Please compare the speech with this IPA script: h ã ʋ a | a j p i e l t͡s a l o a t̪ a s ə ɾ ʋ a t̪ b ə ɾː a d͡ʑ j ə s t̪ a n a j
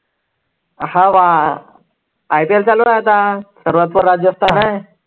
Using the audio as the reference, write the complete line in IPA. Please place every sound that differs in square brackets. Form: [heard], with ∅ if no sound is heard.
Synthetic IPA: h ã ʋ a | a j p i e l t͡s a l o a t̪ a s ə ɾ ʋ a t̪ [p] ə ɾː a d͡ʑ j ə s t̪ a n a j